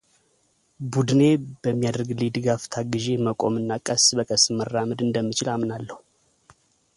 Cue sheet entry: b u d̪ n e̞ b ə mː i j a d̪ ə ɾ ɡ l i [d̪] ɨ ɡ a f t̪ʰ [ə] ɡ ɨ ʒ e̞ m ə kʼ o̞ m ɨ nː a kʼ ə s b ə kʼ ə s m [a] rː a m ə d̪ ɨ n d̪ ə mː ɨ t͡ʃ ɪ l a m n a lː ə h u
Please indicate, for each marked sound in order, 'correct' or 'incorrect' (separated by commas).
correct, incorrect, incorrect